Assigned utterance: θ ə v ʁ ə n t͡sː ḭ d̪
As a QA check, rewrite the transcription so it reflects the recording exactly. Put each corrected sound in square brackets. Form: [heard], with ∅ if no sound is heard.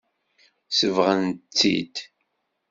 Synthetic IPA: [s] ə v ʁ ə n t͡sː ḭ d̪